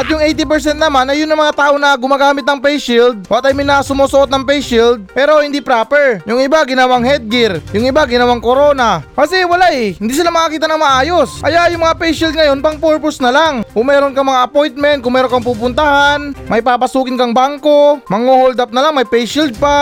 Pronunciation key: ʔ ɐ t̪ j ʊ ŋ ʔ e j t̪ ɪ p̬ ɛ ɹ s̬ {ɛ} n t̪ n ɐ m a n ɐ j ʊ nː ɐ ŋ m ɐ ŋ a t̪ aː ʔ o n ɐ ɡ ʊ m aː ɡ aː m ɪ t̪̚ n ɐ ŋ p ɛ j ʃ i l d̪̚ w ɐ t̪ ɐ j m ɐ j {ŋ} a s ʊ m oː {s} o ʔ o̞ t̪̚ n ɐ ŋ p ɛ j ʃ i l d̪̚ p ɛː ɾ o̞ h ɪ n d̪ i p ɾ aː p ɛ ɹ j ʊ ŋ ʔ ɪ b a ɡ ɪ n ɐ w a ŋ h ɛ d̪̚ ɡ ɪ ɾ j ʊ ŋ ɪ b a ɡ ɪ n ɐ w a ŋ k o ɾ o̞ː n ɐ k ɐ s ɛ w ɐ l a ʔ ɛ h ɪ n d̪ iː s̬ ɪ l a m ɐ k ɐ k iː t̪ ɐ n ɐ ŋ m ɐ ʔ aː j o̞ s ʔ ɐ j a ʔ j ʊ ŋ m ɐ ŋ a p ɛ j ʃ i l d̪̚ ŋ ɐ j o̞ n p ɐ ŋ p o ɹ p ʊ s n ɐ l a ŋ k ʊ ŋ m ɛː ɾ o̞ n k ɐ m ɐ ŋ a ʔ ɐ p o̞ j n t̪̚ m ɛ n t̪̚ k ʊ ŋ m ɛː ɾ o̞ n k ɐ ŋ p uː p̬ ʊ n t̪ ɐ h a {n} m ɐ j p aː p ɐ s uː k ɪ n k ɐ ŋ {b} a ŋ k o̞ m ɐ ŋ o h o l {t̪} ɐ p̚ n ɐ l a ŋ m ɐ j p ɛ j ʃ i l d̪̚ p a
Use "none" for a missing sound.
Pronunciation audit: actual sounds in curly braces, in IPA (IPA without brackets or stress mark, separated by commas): ɛ, n, s, n, b, d̪